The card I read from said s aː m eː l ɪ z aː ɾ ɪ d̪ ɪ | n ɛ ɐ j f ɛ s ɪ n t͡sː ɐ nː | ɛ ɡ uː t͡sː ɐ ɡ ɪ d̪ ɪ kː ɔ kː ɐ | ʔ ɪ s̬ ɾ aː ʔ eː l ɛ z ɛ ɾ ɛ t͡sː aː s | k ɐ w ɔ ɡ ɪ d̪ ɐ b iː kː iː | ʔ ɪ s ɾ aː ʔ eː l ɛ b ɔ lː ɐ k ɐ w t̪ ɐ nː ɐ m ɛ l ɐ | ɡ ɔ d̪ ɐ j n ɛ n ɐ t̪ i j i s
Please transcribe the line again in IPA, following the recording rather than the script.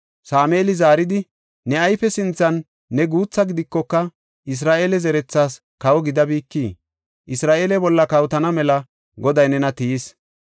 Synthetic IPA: s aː m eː l ɪ z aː ɾ ɪ d̪ ɪ | n ɛ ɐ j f ɛ s ɪ n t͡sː ɐ nː | ɛ ɡ uː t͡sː ɐ ɡ ɪ d̪ ɪ kː ɔ kː ɐ | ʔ ɪ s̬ ɾ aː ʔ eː l ɛ z ɛ ɾ ɛ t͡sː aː s | k ɐ w ɔ ɡ ɪ d̪ ɐ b iː kː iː | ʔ ɪ s ɾ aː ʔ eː l ɛ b ɔ lː ɐ k ɐ w t̪ ɐ n ɐ m ɛ l ɐ | ɡ ɔ d̪ ɐ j n ɛ n ɐ t̪ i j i s